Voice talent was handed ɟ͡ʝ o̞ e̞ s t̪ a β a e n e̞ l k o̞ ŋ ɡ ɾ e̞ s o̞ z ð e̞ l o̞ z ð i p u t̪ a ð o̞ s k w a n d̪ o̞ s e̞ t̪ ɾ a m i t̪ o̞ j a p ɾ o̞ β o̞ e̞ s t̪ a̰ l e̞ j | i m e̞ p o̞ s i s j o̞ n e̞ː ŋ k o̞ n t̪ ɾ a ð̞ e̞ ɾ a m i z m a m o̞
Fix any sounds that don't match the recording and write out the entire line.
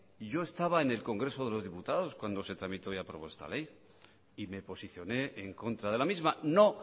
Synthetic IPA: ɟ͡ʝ o̞ e̞ s t̪ a β a e n e̞ l k o̞ ŋ ɡ ɾ e̞ s o̞ ð e̞ l o̞ z ð i p u t̪ a ð o̞ s k w a n d̪ o̞ s e̞ t̪ ɾ a m i t̪ o̞ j a p ɾ o̞ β o̞ e̞ s t̪ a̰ l e̞ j | i m e̞ p o̞ s i θ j o̞ n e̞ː ŋ k o̞ n t̪ ɾ a ð̞ e̞ l a m i z m a n o̞